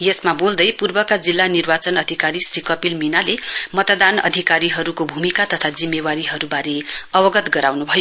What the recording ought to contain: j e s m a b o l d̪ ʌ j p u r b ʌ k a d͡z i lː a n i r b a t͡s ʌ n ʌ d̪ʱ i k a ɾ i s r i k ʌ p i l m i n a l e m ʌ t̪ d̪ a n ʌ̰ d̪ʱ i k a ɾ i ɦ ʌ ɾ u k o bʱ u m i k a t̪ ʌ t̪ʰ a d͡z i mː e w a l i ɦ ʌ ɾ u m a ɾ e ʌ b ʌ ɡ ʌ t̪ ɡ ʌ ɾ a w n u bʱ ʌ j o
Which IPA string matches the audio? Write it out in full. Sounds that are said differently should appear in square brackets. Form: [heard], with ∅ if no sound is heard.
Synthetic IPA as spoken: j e s m a b o l d̪ ʌ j p u r b ʌ k a d͡z i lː a n i r b a t͡s ʌ n ʌ d̪ʱ i k a ɾ i s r i k ʌ p i l m i n a l e m ʌ t̪ d̪ a n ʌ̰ d̪ʱ i k a ɾ i ɦ ʌ ɾ u k o bʱ u m i k a t̪ ʌ t̪ʰ a d͡z i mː e w a [ɾ] i ɦ ʌ ɾ u [b] a ɾ e ʌ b ʌ ɡ ʌ t̪ ɡ ʌ ɾ a w n u bʱ ʌ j o